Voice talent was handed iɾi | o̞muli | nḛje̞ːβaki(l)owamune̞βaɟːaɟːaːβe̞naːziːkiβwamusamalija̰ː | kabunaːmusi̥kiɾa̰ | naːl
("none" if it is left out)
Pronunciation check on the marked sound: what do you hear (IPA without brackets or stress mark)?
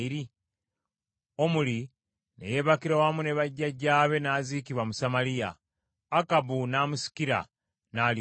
ɾ